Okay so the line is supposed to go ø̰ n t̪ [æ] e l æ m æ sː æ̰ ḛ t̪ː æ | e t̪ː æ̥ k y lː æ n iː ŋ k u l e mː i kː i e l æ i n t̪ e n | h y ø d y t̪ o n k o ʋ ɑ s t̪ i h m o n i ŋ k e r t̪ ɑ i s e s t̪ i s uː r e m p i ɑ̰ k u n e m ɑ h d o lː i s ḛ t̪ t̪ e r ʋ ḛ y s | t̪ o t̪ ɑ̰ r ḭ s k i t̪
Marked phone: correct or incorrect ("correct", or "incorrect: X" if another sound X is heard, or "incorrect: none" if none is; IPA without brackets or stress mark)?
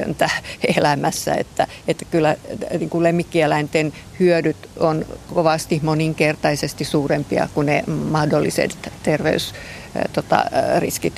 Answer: correct